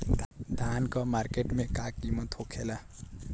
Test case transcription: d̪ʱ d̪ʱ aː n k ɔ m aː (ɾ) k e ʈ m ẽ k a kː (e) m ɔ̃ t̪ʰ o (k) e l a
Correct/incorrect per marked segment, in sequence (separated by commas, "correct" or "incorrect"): correct, incorrect, incorrect